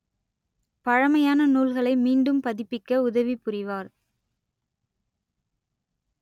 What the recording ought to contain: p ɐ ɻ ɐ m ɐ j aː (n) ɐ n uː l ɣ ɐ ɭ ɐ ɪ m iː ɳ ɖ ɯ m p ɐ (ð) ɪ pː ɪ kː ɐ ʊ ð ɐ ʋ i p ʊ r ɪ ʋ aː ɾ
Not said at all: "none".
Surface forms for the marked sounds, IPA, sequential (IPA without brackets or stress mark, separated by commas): n, ð